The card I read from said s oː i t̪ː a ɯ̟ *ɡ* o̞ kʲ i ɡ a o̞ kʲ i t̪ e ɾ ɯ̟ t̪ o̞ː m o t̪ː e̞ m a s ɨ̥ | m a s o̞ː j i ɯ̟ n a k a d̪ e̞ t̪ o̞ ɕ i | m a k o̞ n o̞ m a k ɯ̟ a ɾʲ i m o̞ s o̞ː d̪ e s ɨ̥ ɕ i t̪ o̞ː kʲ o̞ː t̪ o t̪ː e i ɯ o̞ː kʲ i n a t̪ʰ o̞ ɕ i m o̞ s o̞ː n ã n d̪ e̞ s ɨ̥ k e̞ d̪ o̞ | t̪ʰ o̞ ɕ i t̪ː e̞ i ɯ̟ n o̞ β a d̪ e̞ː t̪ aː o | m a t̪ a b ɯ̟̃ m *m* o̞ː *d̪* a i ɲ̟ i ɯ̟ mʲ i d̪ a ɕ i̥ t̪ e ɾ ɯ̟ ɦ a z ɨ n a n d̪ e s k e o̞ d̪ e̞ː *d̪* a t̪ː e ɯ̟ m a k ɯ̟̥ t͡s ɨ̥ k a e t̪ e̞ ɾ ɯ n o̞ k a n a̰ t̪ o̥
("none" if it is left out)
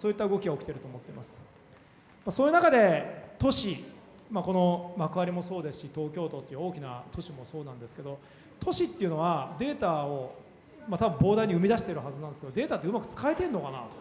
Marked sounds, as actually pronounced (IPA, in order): ɡ, b, d̪, t̪

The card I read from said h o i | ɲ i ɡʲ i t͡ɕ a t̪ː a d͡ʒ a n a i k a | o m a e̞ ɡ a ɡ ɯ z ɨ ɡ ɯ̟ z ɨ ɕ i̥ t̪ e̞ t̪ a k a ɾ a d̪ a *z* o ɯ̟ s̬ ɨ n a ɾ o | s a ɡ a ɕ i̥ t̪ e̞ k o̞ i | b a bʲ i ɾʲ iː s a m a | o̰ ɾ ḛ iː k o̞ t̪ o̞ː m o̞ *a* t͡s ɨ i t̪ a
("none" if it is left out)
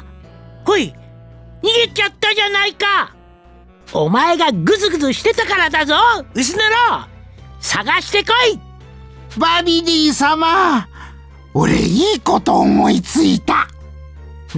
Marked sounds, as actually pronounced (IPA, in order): z, i

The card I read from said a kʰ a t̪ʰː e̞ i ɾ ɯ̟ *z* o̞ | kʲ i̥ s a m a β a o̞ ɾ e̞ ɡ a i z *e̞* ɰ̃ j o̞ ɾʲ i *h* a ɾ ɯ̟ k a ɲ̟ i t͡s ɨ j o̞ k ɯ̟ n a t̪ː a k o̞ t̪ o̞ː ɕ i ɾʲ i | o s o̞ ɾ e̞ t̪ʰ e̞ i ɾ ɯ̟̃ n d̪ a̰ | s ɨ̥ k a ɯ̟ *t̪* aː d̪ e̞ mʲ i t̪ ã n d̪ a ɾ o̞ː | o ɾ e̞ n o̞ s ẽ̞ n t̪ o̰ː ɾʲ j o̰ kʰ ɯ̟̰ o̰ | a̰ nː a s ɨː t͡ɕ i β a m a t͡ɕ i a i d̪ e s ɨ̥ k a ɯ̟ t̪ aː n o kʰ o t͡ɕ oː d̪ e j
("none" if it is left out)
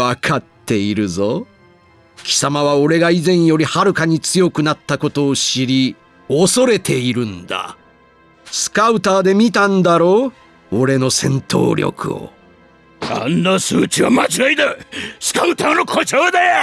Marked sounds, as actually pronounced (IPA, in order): z, ẽ̞, h, t̪

